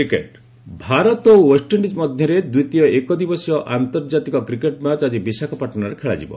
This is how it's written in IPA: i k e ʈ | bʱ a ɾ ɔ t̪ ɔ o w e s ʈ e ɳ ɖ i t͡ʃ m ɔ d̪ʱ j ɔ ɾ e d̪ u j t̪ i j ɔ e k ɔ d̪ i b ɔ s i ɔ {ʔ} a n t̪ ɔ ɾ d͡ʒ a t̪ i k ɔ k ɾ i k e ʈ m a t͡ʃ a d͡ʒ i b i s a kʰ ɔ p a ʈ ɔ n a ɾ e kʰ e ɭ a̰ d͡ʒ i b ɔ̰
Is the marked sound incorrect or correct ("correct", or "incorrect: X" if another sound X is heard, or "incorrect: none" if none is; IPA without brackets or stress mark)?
correct